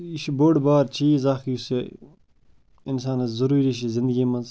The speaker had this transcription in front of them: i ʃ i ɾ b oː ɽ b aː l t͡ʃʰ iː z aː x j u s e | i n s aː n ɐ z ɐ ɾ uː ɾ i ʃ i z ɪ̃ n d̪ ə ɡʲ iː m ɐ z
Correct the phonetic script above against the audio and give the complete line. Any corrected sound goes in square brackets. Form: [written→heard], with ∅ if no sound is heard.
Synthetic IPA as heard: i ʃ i [ɾ→∅] b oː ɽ b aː [l→ɾ] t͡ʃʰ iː z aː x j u s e | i n s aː n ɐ z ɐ ɾ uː ɾ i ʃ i z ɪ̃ n d̪ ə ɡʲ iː m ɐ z